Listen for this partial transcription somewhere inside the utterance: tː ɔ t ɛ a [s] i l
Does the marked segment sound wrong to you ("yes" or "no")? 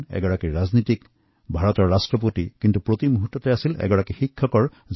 no